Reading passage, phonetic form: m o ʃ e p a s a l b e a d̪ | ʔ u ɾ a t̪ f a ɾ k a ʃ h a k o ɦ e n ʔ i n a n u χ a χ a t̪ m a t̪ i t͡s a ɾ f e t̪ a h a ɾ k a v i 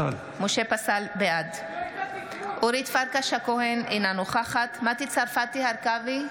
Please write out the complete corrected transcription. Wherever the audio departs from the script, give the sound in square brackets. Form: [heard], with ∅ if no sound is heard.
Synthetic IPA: m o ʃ e p a s a l b e a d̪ | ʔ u ɾ [i] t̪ f a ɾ k a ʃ h a k o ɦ e n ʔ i n a n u χ a χ a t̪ m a t̪ i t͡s a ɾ f [a] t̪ [i] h a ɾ k a v i